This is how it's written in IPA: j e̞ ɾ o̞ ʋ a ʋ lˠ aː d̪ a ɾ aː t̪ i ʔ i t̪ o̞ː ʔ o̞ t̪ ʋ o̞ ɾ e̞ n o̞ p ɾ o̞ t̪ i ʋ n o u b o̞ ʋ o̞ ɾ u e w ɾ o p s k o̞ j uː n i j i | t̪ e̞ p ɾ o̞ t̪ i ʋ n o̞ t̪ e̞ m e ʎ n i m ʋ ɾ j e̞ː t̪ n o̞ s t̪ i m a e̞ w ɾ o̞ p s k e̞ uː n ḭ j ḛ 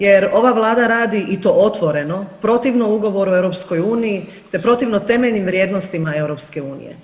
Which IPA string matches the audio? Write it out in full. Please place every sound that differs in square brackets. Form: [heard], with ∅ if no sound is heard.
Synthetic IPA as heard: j e̞ ɾ o̞ ʋ a ʋ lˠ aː d̪ a ɾ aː [d̪] i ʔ i t̪ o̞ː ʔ o̞ t̪ ʋ o̞ ɾ e̞ n o̞ p ɾ o̞ t̪ i ʋ n o u [ɡ] o̞ ʋ o̞ ɾ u e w ɾ o p s k o̞ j uː n i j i | t̪ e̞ p ɾ o̞ t̪ i ʋ n o̞ t̪ e̞ m e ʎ n i m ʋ ɾ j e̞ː [d̪] n o̞ s t̪ i m a e̞ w ɾ o̞ p s k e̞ uː n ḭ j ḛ